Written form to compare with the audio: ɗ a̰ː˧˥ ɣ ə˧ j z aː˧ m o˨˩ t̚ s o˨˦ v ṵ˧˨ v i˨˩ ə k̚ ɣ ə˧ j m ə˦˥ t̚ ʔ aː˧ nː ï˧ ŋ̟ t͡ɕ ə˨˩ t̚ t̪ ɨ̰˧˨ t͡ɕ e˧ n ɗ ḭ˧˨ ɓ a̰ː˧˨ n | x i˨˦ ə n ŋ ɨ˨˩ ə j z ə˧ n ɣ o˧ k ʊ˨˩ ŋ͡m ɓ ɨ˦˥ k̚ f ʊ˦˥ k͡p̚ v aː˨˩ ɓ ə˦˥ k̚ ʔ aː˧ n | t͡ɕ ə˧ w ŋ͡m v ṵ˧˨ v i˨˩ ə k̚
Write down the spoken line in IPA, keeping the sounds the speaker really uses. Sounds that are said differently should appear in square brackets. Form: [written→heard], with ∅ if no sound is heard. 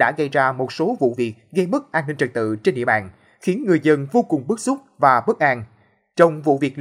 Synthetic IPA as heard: ɗ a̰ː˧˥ ɣ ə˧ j z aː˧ m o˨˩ t̚ s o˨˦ v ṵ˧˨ v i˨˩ ə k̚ ɣ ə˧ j m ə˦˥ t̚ ʔ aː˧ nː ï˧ ŋ̟ t͡ɕ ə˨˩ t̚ t̪ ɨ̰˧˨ t͡ɕ e˧ n ɗ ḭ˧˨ ɓ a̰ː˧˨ n | x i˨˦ ə n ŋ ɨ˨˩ ə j z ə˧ n [ɣ→v] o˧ k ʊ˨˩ ŋ͡m ɓ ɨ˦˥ k̚ [f→s] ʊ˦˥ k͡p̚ v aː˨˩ ɓ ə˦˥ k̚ ʔ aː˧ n | t͡ɕ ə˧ w ŋ͡m v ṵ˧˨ v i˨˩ ə k̚